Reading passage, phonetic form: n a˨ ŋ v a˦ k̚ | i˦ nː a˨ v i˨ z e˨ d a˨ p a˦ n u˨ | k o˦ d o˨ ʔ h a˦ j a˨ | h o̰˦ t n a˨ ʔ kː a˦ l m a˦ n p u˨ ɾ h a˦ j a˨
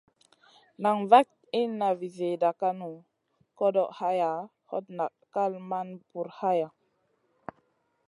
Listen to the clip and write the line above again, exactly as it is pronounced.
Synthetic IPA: n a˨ ŋ v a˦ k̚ | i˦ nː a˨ v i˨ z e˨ d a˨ k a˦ n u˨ | k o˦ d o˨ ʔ h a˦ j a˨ | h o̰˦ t n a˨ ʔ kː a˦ l m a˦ n p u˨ ɾ h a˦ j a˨